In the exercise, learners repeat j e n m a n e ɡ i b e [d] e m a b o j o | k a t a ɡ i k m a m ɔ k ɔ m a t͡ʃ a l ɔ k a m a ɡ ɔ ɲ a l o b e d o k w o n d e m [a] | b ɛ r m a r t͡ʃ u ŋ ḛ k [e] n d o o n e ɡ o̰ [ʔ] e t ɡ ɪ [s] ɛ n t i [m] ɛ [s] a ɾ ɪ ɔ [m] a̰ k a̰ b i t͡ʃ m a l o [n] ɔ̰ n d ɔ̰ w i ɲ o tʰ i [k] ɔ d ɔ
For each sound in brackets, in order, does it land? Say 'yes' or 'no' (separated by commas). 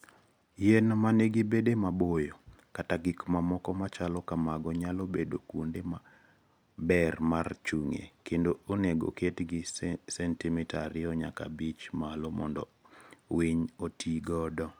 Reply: yes, yes, yes, no, yes, yes, no, no, no, no